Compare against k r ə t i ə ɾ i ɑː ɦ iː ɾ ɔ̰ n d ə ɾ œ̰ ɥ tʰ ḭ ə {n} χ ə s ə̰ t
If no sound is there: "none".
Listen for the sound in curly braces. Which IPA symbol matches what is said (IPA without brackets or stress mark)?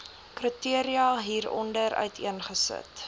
n